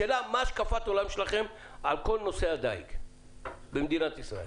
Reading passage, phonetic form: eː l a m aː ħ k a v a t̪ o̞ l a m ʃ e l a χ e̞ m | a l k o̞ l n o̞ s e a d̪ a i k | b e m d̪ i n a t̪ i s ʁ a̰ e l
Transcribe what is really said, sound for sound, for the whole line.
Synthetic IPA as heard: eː l a m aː ʃ k a f a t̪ o̞ l a m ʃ e l a χ e̞ m | a l k o̞ l n o̞ s e a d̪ a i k | b e m d̪ i n a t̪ i s ʁ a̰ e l